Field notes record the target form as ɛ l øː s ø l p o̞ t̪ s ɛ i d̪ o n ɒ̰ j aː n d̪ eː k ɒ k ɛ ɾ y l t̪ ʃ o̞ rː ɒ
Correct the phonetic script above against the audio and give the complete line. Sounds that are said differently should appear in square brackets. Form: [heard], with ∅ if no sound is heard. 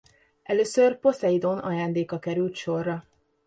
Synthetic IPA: ɛ l øː s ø [r] p o̞ [∅] s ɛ i d̪ o n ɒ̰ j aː n d̪ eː k ɒ k ɛ ɾ y l t̪ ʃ o̞ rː ɒ